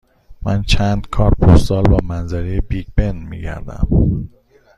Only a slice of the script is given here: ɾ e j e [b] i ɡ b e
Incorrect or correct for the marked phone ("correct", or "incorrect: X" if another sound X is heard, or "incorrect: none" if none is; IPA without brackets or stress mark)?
correct